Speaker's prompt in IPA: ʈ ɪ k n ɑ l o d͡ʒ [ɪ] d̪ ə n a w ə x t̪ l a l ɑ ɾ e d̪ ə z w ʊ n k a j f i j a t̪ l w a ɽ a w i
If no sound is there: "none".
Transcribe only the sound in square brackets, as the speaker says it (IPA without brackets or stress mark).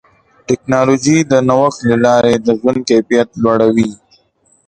i